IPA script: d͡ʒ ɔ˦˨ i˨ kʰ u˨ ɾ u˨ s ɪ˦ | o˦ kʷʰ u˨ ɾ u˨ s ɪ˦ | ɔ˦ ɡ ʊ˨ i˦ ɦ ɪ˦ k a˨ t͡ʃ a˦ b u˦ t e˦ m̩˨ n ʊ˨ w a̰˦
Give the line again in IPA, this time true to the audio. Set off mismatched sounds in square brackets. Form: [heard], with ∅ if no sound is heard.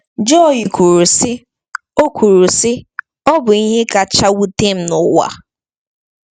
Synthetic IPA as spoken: d͡ʒ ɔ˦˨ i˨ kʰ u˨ ɾ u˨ s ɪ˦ | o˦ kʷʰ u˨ ɾ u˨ s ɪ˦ | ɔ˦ [b] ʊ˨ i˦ ɦ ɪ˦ k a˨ t͡ʃ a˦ [w] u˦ t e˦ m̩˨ n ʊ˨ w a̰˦